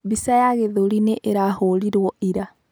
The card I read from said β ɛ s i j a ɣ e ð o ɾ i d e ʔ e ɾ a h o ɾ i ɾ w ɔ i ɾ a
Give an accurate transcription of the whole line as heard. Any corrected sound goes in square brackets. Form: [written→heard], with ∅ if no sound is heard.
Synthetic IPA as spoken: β [ɛ→i] s [i→a] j a ɣ e ð o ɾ i [d→n] e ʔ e ɾ a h o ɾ i ɾ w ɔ i ɾ a